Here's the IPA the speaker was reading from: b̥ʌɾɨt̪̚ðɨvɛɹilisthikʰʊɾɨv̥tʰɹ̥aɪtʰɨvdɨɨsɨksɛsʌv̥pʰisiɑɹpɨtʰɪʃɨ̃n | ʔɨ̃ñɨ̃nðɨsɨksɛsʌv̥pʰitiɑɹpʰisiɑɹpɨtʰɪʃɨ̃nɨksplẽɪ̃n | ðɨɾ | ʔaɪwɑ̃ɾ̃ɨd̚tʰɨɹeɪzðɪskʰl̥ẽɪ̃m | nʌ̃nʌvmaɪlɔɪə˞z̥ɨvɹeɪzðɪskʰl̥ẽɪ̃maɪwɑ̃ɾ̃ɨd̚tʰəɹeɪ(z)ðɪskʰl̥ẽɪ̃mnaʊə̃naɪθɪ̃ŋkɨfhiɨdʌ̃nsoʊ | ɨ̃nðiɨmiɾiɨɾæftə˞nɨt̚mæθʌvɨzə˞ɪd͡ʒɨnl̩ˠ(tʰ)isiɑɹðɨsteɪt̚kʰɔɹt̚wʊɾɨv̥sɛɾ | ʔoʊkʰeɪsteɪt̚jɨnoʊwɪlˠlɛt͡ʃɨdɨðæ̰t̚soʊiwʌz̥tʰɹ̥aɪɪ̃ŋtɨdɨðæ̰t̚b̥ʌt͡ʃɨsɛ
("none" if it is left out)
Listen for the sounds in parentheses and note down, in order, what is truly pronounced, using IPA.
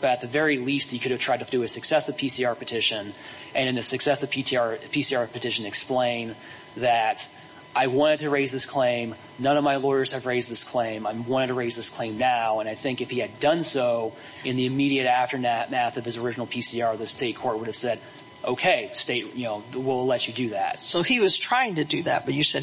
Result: z, pʰ

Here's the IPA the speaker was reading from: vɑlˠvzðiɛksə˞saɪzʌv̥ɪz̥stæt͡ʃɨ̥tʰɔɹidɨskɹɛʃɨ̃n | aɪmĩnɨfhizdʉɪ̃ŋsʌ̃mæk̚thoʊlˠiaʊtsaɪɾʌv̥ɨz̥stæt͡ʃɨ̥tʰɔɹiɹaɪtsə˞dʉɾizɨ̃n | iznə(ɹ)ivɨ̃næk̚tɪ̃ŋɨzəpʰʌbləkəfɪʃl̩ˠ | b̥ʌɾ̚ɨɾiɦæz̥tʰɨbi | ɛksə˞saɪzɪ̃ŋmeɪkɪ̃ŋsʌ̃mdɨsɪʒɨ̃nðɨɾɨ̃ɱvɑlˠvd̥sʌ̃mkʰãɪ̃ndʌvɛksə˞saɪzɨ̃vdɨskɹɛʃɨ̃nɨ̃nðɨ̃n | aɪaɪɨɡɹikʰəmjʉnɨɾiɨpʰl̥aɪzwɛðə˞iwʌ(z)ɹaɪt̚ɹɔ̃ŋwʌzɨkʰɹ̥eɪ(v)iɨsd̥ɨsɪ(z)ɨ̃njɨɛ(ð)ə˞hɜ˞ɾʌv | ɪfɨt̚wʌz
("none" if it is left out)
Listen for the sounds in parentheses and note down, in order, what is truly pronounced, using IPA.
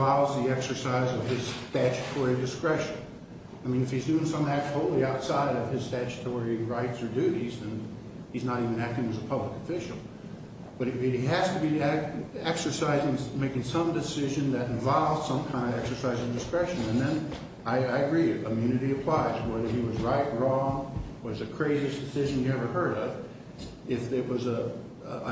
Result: ɾ, z, z, ʒ, v

